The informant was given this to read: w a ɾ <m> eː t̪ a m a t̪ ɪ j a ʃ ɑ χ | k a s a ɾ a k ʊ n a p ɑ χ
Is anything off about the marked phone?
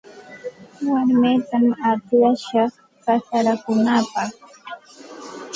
no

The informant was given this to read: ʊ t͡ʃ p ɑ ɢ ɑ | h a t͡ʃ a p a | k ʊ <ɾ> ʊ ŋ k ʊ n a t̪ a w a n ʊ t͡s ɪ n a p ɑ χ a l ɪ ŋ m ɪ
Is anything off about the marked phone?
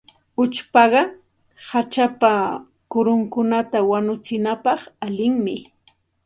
no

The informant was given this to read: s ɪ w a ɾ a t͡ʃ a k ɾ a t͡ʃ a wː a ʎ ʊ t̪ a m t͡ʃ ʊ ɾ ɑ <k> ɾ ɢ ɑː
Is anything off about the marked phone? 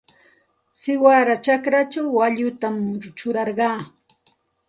yes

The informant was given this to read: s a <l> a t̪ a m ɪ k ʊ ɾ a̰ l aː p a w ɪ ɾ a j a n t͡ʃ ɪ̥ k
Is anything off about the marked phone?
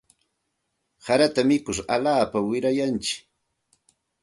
yes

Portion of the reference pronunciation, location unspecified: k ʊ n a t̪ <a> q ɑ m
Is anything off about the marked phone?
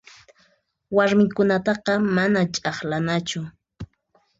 yes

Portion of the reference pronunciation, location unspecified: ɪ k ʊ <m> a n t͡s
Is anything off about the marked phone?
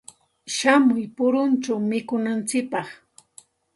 yes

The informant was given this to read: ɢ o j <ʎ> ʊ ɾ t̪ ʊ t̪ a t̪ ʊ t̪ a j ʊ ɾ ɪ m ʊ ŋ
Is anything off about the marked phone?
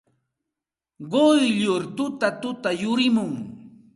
no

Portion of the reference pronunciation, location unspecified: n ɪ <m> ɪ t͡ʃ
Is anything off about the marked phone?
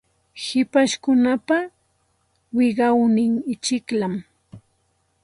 yes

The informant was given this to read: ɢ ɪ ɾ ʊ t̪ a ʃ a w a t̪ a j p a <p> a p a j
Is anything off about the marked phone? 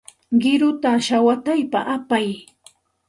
yes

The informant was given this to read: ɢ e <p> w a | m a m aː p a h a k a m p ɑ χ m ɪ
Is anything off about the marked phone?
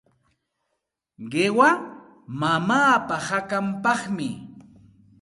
yes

